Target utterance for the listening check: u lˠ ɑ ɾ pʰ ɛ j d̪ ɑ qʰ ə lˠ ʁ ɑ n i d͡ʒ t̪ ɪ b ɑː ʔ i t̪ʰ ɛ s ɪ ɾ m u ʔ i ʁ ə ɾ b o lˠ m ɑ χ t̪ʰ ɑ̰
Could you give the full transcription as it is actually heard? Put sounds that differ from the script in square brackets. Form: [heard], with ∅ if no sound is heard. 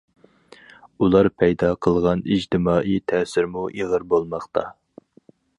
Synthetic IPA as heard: u lˠ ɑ ɾ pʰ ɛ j d̪ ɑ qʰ ə lˠ ʁ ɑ n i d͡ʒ t̪ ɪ [m] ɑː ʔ i t̪ʰ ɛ s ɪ ɾ m u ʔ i ʁ ə ɾ b o lˠ m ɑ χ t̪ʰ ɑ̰